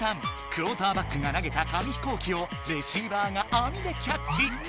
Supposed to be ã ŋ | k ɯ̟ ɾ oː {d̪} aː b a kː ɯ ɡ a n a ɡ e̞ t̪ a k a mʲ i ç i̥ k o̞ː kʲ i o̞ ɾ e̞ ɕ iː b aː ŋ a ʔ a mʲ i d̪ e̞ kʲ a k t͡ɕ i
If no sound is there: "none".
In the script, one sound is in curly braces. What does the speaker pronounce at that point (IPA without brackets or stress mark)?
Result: t̪